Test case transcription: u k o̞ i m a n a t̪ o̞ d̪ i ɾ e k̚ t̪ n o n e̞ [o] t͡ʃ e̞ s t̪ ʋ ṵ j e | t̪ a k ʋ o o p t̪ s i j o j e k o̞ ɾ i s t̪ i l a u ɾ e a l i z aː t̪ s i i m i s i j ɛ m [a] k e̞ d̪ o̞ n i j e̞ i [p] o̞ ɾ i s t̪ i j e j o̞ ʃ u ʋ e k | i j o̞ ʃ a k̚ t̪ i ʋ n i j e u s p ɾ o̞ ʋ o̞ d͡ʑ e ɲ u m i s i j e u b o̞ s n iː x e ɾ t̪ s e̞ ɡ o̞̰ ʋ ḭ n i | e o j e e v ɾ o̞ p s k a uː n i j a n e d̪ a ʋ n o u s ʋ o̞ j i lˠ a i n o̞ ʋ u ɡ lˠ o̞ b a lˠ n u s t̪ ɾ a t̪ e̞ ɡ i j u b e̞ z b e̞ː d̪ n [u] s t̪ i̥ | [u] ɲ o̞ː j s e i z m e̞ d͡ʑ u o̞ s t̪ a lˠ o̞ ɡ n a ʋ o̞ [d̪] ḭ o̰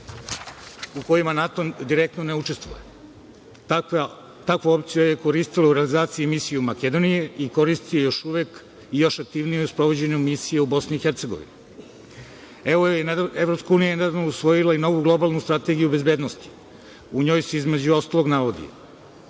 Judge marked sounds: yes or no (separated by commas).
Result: no, yes, no, no, yes, yes